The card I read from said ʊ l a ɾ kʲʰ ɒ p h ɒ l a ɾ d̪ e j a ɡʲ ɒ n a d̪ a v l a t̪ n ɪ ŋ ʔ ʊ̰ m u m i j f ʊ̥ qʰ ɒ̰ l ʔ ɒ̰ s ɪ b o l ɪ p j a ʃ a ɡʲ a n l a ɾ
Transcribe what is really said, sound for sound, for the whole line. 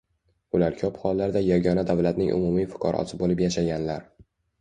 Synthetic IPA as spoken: ʊ l a ɾ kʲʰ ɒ p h ɒ lː a ɾ d̪ a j a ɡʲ ɒ n a d̪ a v l a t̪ n ɪ ŋ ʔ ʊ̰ m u m i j f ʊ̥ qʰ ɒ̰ ɾ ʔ ɒ̰ s ɪ b o l ɪ p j a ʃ a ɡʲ a n l a ɾ

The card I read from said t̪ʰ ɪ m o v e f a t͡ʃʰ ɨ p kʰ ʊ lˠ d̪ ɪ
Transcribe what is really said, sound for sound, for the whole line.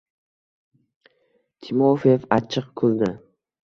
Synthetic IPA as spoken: t̪ʰ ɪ m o f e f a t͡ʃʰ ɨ q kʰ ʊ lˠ d̪ ɪ

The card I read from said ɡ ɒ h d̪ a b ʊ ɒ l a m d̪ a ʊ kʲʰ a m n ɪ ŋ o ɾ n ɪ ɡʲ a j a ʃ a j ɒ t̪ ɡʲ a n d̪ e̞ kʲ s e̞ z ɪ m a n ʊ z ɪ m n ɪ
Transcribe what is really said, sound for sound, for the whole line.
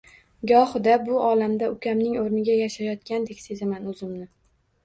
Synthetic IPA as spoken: ɡ ɒ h d̪ a b ʊ ɒ l a m d̪ a ʊ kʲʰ a m n ɪ ŋ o ɾ n ɪ ɡʲ a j a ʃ a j ɒ t̪ kʲ a n d̪ e̞ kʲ s e̞ z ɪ m a n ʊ z ɪ m n ɪ

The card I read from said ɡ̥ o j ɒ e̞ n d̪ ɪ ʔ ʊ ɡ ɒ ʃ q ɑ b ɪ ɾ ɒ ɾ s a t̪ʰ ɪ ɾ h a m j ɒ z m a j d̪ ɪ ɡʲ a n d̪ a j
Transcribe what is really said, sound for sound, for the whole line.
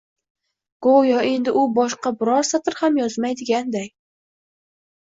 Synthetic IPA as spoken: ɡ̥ o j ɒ e̞ n d̪ ɪ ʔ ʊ b ɒ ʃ q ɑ b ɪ ɾ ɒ ɾ s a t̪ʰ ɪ ɾ h a m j ɒ z m a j d̪ ɪ ɡʲ a n d̪ a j

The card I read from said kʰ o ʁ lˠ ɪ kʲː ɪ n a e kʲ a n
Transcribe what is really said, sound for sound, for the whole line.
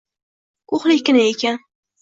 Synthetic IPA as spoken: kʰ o χ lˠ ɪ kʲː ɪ n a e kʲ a n

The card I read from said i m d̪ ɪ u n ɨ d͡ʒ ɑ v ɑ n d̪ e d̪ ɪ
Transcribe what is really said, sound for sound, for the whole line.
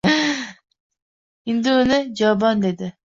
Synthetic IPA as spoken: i n d̪ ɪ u n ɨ d͡ʒ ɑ b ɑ n d̪ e d̪ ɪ

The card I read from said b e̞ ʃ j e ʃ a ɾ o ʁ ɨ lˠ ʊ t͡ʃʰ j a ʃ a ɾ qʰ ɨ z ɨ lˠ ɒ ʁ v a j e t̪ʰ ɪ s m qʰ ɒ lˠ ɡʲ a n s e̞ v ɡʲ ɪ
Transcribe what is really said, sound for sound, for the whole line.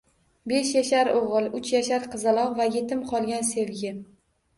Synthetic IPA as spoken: b e̞ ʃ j a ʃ a ɾ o ʁ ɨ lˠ ʊ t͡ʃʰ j a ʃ a ɾ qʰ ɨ z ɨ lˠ ɒ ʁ v a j e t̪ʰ ɪ m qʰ ɒ lˠ ɡʲ a n s e̞ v ɡʲ ɪ

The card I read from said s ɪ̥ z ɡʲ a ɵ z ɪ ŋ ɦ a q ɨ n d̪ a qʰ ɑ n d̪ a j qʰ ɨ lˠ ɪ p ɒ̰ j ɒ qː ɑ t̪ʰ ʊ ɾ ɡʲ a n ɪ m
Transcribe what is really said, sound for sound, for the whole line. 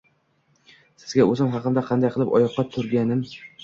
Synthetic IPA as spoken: s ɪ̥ z ɡʲ a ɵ z ɪ m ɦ ɑ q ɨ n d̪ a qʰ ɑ n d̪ a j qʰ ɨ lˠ ɪ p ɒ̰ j ɒ qː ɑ t̪ʰ ʊ ɾ ɡʲ a n ɪ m

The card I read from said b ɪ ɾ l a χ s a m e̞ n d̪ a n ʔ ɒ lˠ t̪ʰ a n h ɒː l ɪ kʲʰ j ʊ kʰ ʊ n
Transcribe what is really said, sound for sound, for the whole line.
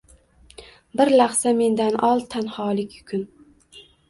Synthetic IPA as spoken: b ɪ ɾ l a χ s a m e̞ n d̪ a n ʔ ɒ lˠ t̪ʰ a n h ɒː l ɪ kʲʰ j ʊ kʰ ʊ n

